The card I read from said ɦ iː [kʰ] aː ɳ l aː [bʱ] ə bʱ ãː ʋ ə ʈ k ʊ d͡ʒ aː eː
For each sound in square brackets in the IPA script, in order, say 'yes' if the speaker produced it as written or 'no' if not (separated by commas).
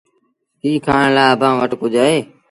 yes, no